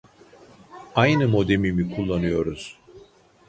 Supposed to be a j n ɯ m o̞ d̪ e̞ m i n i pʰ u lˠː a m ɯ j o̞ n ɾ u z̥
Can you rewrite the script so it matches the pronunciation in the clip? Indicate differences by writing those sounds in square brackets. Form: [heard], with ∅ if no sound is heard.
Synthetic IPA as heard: a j n ɯ m o̞ d̪ e̞ m i [m] i [kʰ] u lˠː a [n] ɯ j o̞ [∅] ɾ u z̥

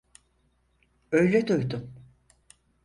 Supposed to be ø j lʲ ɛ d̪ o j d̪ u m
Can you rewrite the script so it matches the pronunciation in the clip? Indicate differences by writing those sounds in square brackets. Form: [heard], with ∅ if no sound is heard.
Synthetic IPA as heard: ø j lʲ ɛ d̪ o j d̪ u m

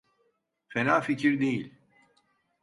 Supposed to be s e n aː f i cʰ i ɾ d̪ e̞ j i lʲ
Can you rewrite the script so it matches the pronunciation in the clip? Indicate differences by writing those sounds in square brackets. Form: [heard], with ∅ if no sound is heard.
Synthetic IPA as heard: [f] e n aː f i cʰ i ɾ d̪ e̞ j i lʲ

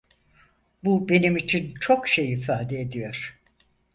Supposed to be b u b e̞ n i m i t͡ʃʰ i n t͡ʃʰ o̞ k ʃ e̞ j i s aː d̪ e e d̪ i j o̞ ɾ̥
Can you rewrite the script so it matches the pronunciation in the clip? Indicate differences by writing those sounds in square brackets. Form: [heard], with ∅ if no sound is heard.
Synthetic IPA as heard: b u b e̞ n i m i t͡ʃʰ i n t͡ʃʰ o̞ k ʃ e̞ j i [f] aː d̪ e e d̪ i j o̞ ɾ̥

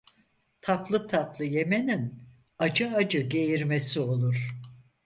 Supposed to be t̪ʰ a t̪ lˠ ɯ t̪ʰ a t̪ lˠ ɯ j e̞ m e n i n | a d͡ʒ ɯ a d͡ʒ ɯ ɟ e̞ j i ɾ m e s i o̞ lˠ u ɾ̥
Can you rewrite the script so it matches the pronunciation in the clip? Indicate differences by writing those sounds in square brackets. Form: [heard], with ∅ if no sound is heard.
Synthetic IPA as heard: t̪ʰ a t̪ lˠ ɯ t̪ʰ a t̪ lˠ ɯ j e̞ m e n i n | a d͡ʒ ɯ a d͡ʒ ɯ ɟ e̞ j i ɾ m e s i o̞ lˠ u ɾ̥

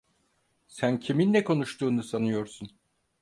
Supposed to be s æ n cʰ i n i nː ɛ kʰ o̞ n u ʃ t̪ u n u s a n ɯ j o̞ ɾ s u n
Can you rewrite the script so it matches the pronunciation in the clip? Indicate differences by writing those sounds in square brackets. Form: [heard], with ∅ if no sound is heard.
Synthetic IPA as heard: s æ n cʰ i [m] i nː ɛ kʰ o̞ n u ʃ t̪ [uː] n u s a n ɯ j o̞ ɾ s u n

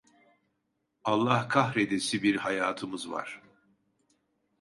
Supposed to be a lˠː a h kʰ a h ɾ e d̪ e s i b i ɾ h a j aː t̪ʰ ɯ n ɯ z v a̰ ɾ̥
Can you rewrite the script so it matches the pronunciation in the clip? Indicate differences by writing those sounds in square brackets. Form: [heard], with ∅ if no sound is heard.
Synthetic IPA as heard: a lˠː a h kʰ a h ɾ e d̪ e s i b i ɾ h a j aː t̪ʰ ɯ [m] ɯ z v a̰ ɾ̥

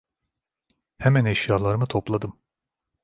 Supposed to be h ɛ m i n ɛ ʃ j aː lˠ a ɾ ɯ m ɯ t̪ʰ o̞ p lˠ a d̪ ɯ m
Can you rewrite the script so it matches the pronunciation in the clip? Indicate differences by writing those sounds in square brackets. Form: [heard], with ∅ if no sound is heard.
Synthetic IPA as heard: h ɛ m [æ] n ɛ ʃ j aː lˠ a ɾ ɯ m ɯ t̪ʰ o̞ p lˠ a d̪ ɯ m

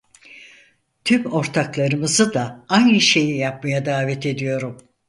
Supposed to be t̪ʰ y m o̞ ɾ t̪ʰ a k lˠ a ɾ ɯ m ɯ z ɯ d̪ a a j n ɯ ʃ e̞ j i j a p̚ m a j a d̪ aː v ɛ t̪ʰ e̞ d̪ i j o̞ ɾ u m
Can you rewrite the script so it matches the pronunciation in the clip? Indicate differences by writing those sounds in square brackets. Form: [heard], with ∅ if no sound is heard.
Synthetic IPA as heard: t̪ʰ y m o̞ ɾ t̪ʰ a k lˠ a ɾ ɯ m ɯ z ɯ d̪ a a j n ɯ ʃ e̞ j i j a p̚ m a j a d̪ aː v ɛ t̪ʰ e̞ d̪ i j o̞ ɾ u m

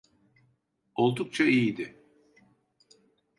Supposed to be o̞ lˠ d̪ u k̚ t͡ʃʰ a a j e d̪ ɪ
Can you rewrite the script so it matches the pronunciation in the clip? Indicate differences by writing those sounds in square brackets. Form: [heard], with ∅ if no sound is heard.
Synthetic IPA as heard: o̞ lˠ d̪ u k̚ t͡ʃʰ a [i] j [i] d̪ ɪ

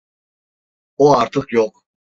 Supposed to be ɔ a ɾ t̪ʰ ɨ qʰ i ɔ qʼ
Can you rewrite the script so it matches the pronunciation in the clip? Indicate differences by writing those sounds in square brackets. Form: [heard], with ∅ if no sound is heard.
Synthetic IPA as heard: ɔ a ɾ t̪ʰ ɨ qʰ [j] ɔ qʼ

